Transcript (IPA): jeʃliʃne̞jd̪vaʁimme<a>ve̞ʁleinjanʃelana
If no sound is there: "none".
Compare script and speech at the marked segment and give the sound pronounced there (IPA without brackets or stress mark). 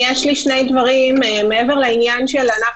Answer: e